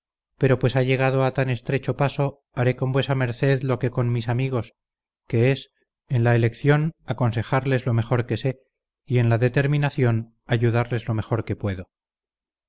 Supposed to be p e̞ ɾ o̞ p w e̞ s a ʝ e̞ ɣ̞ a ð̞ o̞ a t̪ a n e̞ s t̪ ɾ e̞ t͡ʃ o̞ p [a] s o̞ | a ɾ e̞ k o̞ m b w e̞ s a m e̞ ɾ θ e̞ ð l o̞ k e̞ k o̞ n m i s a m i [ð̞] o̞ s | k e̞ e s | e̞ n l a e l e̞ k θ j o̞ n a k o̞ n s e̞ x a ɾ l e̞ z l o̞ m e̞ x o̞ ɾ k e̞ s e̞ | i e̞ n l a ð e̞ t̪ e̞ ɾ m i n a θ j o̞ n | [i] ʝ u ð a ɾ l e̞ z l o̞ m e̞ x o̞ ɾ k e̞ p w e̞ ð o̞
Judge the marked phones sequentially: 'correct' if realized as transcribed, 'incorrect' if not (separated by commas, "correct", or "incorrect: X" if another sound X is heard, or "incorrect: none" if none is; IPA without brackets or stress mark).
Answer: correct, incorrect: ɣ̞, incorrect: a